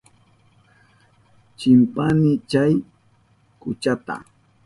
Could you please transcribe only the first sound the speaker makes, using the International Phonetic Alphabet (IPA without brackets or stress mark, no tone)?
t͡ʃ